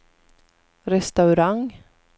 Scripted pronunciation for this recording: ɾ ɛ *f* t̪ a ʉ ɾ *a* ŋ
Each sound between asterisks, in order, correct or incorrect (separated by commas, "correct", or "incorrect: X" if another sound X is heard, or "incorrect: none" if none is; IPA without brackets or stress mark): incorrect: s, correct